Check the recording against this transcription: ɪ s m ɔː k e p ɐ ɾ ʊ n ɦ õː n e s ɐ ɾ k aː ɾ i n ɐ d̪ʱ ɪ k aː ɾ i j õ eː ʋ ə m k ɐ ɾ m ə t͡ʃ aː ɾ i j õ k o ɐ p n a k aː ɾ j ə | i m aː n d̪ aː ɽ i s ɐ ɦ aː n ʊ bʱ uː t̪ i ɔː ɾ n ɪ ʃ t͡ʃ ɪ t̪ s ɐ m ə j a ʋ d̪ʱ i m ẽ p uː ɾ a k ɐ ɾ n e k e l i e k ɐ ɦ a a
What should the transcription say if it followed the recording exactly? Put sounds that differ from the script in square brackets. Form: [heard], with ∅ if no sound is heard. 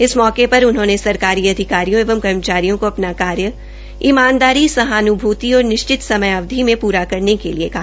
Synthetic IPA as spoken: ɪ s m ɔː k e p ɐ ɾ ʊ n ɦ õː n e s ɐ ɾ k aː ɾ i [∅] ɐ d̪ʱ ɪ k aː ɾ i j õ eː ʋ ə m k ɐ ɾ m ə t͡ʃ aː ɾ i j õ k o ɐ p n a k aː ɾ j ə | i m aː n d̪ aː [ɾ] i s ɐ ɦ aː n ʊ bʱ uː t̪ i ɔː ɾ n ɪ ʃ t͡ʃ ɪ t̪ s ɐ m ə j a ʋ d̪ʱ i m ẽ p uː ɾ a k ɐ ɾ n e k e l i e k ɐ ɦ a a